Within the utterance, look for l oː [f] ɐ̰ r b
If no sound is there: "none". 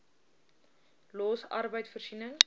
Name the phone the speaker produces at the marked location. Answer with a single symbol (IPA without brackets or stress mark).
s